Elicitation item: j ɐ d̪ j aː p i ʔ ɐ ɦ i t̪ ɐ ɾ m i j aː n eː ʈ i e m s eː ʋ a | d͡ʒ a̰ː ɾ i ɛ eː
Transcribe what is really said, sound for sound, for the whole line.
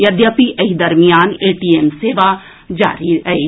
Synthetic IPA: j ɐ d̪ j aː p i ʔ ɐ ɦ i d̪ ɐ ɾ m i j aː n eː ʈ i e m s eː ʋ a | d͡ʒ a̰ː ɾ i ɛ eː